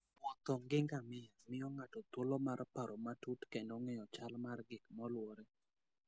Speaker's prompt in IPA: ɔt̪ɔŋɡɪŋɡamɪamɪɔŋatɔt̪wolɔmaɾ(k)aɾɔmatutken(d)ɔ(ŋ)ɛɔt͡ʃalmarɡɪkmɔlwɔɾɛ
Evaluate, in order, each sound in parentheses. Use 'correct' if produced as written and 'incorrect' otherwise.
incorrect: p, correct, correct

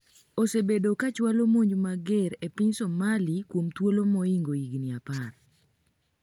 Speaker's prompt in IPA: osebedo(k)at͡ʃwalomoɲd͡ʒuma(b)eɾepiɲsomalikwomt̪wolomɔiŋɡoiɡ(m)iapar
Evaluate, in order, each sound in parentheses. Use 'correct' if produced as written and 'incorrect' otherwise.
correct, incorrect: ɡ, incorrect: n

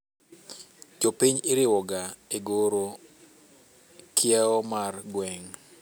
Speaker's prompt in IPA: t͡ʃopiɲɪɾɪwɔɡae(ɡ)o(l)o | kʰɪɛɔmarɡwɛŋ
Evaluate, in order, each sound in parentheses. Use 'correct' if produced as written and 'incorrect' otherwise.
correct, incorrect: ɾ

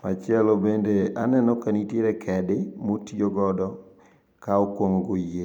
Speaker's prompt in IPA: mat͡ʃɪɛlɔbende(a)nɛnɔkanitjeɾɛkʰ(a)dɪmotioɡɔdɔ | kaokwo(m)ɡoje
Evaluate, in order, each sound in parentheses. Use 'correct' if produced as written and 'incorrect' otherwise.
correct, incorrect: ɛ, incorrect: ŋ

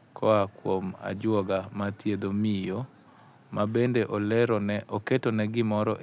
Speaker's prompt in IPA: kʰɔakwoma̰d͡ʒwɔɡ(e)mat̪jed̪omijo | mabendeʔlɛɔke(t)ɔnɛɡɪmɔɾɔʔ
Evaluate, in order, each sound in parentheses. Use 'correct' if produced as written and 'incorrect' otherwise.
incorrect: a, correct

